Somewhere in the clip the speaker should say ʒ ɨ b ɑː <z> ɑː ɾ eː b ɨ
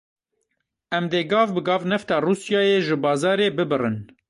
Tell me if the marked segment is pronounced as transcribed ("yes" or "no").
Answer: yes